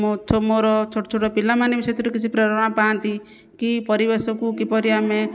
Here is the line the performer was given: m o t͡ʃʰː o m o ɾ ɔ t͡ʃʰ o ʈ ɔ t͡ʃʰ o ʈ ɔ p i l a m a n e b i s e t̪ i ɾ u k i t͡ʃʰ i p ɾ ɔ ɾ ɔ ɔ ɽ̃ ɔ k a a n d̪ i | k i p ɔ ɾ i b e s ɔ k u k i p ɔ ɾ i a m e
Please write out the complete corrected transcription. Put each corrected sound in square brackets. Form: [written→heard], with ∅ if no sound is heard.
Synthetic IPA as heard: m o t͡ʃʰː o m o ɾ ɔ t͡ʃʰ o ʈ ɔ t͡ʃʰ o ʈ ɔ p i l a m a n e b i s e t̪ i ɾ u k i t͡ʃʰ i p ɾ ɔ ɾ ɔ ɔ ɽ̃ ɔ [k→p] a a n [d̪→t̪] i | k i p ɔ ɾ i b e s ɔ k u k i p ɔ ɾ i a m e